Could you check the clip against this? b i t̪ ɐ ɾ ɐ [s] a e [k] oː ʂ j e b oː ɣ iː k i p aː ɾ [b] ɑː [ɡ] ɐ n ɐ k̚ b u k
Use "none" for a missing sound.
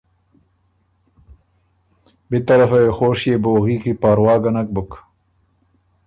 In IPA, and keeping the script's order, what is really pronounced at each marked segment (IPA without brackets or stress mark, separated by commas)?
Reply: f, x, w, ɡ